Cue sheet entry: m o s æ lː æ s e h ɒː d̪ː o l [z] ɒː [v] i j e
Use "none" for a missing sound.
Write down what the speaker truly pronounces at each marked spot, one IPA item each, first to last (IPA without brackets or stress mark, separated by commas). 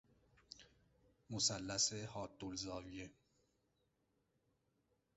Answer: z, v